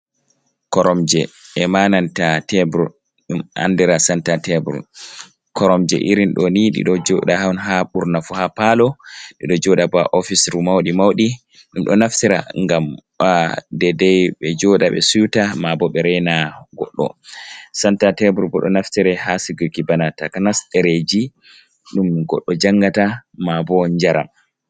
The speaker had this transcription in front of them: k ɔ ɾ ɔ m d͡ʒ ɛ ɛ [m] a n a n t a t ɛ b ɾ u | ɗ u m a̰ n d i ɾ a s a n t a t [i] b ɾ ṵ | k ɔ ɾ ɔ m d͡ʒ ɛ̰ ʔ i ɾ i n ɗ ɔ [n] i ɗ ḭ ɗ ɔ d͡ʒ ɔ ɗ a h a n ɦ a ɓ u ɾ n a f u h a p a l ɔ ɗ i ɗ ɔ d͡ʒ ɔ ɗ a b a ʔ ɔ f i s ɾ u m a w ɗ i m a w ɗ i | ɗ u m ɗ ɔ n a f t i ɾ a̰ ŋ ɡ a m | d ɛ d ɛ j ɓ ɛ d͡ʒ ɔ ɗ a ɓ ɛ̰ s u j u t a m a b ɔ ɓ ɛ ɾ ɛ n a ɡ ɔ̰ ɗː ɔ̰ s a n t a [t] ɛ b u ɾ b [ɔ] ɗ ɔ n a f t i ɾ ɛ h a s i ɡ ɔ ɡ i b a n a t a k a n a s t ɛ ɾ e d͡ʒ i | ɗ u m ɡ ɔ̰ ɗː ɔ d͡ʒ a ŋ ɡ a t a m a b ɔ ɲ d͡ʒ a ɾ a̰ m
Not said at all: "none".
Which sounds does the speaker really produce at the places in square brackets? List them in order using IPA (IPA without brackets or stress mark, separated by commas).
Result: m, ɛ, n, t, ɔ